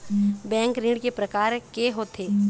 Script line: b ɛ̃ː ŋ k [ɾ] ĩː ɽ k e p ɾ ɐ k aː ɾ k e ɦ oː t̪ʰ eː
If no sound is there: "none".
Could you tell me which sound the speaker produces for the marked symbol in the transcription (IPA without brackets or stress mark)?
ɾ